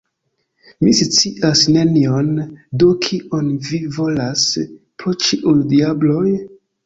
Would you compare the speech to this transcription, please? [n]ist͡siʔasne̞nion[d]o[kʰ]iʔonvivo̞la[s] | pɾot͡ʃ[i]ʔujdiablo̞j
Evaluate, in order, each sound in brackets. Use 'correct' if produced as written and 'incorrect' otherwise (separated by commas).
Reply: incorrect, correct, correct, correct, correct